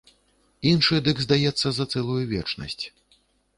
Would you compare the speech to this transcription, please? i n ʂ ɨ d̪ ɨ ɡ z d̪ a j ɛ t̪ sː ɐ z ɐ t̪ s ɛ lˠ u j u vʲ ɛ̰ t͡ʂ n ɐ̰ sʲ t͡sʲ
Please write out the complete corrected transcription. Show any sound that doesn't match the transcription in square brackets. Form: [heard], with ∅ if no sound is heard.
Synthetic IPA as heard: i n ʂ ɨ d̪ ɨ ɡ z d̪ a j ɛ t̪ sː ɐ z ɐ t̪ s ɛ lˠ u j u vʲ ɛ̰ t͡ʂ n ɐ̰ sʲ t͡sʲ